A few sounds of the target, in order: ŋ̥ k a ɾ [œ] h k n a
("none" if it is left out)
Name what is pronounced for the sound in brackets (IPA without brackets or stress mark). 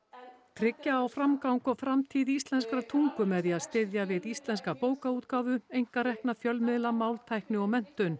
ɛ